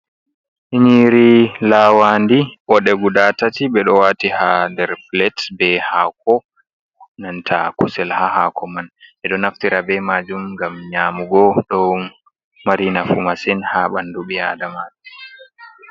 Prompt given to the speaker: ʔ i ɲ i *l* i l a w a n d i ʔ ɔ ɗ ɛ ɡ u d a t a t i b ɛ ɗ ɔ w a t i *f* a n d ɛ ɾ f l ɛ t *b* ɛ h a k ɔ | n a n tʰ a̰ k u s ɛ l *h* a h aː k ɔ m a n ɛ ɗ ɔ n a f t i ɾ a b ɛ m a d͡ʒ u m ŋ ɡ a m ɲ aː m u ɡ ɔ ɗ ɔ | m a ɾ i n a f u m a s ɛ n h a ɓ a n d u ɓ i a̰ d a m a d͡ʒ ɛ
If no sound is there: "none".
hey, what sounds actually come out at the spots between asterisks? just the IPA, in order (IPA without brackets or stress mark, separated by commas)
ɾ, h, b, h